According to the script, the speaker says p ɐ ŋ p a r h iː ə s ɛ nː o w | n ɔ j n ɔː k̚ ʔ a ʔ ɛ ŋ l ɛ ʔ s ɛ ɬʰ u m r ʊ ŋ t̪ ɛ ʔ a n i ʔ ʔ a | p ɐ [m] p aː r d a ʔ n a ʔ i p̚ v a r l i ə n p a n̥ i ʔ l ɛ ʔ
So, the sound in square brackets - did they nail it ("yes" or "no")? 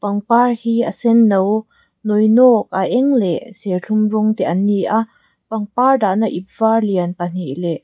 no